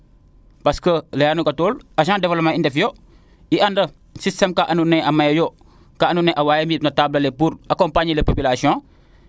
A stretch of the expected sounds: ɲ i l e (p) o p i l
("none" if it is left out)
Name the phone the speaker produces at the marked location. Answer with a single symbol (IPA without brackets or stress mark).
p